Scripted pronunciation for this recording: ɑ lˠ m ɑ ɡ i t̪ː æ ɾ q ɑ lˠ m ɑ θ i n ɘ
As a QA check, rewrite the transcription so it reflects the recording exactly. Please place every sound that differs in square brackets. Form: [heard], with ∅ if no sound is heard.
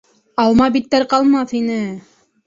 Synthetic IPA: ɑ lˠ m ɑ [b] i t̪ː æ ɾ q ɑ lˠ m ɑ θ i n ɘ